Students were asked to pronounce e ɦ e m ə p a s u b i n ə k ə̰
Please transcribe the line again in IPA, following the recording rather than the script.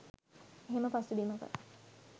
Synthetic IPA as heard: e ɦ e m ə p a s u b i m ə k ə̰